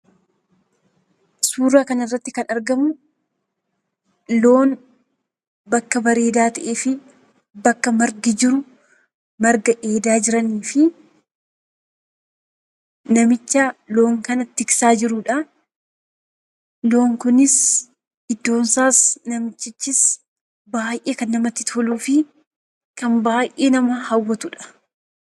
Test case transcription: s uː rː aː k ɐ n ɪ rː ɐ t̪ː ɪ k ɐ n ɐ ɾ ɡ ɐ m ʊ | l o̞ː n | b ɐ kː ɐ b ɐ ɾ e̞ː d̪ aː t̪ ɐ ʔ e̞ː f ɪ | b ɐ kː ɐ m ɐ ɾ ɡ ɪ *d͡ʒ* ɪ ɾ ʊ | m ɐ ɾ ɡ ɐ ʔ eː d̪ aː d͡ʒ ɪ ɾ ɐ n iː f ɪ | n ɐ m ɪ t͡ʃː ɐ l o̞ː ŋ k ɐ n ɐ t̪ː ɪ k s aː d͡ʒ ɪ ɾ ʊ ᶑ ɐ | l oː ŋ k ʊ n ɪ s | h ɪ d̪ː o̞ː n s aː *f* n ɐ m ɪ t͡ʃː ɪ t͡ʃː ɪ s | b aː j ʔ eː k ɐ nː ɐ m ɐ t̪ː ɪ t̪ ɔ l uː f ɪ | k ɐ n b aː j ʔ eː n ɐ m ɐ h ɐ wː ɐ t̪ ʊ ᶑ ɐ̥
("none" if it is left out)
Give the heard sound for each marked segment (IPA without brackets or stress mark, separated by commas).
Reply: d͡ʒ, s